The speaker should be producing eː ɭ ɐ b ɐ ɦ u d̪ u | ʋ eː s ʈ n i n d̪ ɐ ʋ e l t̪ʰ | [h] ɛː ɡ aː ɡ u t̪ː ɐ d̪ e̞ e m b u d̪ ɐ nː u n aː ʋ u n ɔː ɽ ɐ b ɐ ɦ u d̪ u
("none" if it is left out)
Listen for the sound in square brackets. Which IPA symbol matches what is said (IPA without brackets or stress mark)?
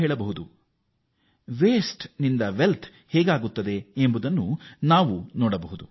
h